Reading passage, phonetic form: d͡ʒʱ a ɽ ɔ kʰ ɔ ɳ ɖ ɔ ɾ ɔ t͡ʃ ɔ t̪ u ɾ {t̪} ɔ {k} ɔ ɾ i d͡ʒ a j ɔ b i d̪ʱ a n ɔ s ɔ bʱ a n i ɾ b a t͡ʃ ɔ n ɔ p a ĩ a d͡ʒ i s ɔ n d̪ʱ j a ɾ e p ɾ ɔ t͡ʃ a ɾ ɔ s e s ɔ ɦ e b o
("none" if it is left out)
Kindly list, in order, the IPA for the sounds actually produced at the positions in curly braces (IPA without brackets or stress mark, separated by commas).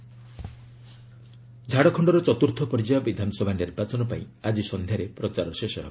t̪ʰ, p